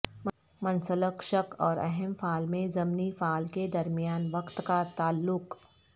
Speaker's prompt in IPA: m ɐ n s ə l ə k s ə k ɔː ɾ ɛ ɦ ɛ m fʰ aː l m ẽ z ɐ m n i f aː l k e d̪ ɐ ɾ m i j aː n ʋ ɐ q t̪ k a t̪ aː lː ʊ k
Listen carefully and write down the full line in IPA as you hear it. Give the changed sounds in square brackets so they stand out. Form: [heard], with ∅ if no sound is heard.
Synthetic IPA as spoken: m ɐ n s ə l ə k [ʃ] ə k ɔː ɾ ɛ ɦ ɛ m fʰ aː l m ẽ z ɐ m n i f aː l k e d̪ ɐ ɾ m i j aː n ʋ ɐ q t̪ k a t̪ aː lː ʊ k